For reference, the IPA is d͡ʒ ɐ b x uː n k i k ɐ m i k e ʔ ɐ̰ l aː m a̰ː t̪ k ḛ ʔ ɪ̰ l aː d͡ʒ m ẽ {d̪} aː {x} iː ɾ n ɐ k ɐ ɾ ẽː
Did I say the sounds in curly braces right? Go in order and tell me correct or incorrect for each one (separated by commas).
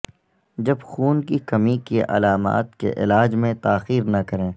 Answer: incorrect, correct